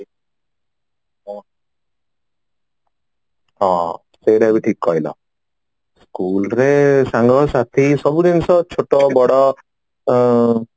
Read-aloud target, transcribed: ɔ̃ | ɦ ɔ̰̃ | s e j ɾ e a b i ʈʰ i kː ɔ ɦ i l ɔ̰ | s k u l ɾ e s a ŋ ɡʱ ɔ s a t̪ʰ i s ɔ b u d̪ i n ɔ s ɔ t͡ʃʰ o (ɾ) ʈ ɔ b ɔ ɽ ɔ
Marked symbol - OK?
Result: no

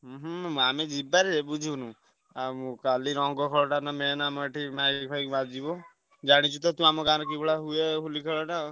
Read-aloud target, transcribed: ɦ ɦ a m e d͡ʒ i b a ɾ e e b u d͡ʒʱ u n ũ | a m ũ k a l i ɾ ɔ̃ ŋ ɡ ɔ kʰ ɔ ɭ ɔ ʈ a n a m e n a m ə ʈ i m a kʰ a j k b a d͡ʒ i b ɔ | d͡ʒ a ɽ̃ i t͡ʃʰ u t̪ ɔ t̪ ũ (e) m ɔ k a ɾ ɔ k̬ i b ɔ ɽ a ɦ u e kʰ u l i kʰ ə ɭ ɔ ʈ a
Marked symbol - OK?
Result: no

